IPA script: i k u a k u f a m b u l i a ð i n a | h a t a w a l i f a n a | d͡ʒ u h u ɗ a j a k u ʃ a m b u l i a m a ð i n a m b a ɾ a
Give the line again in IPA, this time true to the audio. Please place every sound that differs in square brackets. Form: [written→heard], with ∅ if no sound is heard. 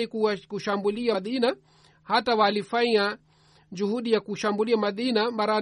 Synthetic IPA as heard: i k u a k u [f→ʃ] a m b u l i a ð i n a | h a t a w a l i f a [n→ɲ] a | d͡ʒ u h u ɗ [a→i] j a k u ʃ a m b u l i a m a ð i n a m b a ɾ a